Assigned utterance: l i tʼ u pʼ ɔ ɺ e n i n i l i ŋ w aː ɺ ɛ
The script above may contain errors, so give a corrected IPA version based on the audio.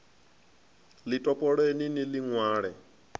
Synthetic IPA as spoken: l i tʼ ɔ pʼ ɔ ɺ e n i n i l i ŋ w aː ɺ ɛ